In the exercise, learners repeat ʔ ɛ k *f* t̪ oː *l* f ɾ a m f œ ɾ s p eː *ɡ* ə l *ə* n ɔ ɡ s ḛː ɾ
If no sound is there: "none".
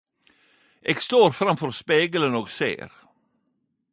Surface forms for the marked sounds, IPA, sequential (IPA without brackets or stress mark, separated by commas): s, ɾ, ɡ, ə